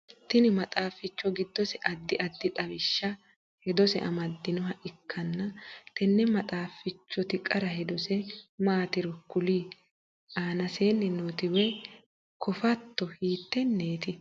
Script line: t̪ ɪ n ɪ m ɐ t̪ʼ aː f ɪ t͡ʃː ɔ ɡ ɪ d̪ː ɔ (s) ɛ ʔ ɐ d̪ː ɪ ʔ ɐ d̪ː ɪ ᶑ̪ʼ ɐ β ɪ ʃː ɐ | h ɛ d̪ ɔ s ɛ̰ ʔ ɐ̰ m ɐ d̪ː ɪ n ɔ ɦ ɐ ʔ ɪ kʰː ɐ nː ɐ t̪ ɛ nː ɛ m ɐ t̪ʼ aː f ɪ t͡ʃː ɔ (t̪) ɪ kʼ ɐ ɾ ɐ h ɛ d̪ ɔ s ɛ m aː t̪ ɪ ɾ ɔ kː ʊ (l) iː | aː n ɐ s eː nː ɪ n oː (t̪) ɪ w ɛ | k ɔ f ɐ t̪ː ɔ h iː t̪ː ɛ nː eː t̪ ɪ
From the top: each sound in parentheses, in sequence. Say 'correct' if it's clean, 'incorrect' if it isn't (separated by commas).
correct, correct, correct, correct